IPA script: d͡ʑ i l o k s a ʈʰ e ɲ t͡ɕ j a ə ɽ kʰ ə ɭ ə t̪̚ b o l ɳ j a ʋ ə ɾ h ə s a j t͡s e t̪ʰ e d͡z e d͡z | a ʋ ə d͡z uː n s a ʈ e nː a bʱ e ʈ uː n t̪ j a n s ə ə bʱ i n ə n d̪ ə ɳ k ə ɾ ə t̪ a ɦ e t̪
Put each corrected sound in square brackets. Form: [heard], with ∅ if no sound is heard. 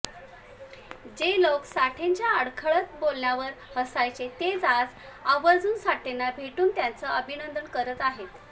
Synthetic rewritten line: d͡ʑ [e] l o k s a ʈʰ e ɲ t͡ɕ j a ə ɽ kʰ ə ɭ ə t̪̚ b o l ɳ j a ʋ ə ɾ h ə s a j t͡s e [t̪] e d͡z [a] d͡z | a ʋ ə d͡z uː n s a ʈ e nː a bʱ e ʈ uː n t̪ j a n [t͡s] ə ə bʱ i n ə n d̪ ə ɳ k ə ɾ ə t̪ a ɦ e t̪

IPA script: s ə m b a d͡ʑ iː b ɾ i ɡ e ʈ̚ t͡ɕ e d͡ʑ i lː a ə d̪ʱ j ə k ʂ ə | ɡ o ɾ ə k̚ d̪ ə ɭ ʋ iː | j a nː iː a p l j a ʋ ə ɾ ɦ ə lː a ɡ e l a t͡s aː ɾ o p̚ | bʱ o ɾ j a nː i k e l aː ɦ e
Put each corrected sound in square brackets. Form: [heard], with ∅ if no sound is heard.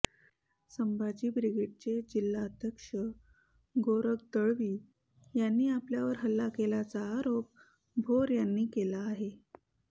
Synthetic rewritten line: s ə m b a d͡ʑ iː b ɾ i ɡ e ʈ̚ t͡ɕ e d͡ʑ i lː a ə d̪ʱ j ə k ʂ ə | ɡ o ɾ ə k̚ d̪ ə ɭ ʋ iː | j a nː iː a p l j a ʋ ə ɾ ɦ ə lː a [k] e l a t͡s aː ɾ o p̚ | bʱ o ɾ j a nː [iː] k e l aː ɦ e

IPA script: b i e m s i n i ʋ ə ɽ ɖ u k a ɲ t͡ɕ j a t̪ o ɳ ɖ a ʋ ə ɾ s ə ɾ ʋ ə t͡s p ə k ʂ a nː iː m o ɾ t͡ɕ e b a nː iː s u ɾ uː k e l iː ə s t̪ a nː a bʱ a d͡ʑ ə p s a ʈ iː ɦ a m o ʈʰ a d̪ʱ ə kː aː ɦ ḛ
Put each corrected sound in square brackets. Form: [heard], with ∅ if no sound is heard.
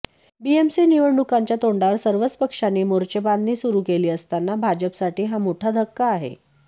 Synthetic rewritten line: b i e m s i n i ʋ ə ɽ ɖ u k a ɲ t͡ɕ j a t̪ o ɳ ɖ a ʋ ə ɾ s ə ɾ ʋ ə t͡s p ə k ʂ a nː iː m o ɾ t͡ɕ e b a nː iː s u ɾ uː k e l iː ə s t̪ a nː a bʱ a d͡ʑ ə p s a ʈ iː ɦ a m o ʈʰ a d̪ʱ ə kː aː ɦ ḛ

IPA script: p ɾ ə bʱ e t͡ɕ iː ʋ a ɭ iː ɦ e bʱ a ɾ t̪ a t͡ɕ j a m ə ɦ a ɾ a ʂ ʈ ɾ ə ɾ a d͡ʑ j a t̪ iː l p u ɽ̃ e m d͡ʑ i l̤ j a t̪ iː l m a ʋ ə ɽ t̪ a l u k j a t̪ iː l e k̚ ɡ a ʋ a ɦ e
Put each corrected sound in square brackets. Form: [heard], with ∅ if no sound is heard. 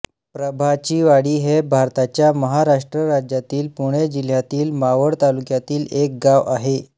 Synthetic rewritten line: p ɾ ə bʱ [a] t͡ɕ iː ʋ a [ɽ] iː ɦ e bʱ a ɾ t̪ a t͡ɕ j a m ə ɦ a ɾ a ʂ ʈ ɾ ə ɾ a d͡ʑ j a t̪ iː l p u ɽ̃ e [∅] d͡ʑ i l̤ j a t̪ iː l m a ʋ ə ɽ t̪ a l u k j a t̪ iː l e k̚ ɡ a ʋ a ɦ e

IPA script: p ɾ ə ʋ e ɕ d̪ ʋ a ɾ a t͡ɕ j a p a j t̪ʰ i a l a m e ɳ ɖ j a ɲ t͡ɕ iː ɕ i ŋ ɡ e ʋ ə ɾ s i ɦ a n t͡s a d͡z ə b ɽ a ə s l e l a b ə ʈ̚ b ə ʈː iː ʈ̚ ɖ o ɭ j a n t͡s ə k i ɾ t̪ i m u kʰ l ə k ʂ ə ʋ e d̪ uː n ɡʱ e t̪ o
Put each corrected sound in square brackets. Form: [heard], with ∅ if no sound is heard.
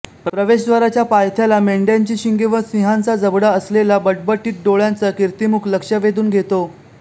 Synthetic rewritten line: p ɾ ə ʋ e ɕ d̪ ʋ a ɾ a t͡ɕ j a p a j t̪ʰ [j] a l a m e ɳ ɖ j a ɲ t͡ɕ iː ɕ i ŋ ɡ e ʋ ə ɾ s i ɦ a n t͡s a d͡z ə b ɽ a ə s l e l a b ə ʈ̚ b ə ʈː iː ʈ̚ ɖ o ɭ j a n t͡s ə k i ɾ t̪ i m u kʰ l ə k ʂ ə ʋ e d̪ uː n ɡʱ e t̪ o

